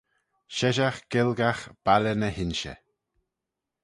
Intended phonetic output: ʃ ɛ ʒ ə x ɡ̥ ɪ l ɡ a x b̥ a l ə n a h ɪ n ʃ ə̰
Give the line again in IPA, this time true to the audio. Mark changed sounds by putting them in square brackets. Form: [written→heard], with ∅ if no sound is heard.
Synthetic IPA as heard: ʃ ɛ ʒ [ə→a] x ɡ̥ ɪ l ɡ a x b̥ a l ə n [a→ə] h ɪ n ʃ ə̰